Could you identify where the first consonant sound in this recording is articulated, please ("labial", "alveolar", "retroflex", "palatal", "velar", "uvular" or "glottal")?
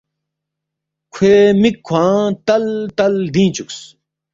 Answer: velar